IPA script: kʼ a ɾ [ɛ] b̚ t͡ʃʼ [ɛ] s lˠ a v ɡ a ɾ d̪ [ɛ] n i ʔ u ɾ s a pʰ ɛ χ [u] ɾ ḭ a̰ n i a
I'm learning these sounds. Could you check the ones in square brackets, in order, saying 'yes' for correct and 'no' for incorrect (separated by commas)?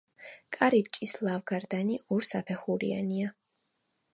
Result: no, no, no, yes